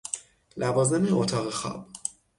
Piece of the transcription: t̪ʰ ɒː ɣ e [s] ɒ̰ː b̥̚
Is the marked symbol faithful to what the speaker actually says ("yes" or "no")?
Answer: no